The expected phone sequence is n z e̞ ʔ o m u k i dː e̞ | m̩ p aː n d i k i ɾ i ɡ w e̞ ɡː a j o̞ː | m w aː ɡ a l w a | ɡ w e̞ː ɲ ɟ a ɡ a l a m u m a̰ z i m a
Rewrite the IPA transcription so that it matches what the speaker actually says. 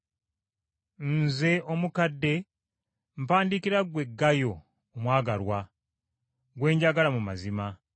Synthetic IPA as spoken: n z e̞ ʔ o m u k a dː e̞ | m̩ p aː n d i k i ɾ a ɡ w e̞ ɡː a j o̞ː | m w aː ɡ a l w a | ɡ w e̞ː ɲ ɟ a ɡ a l a m u m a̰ z i m a